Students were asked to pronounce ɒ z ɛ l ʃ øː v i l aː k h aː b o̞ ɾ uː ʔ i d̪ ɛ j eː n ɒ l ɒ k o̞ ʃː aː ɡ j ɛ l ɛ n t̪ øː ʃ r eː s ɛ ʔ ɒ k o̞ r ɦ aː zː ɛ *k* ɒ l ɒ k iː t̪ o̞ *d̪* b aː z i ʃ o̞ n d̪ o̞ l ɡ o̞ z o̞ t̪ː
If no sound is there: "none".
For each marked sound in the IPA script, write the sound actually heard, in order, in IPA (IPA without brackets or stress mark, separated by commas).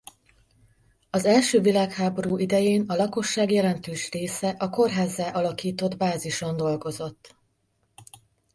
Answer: ʔ, d̪